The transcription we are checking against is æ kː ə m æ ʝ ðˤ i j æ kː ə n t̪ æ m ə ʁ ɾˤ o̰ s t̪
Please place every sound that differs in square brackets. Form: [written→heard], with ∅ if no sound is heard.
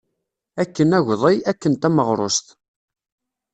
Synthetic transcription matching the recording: æ kː ə [m→n] æ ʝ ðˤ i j æ kː ə n t̪ æ m ə ʁ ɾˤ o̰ s t̪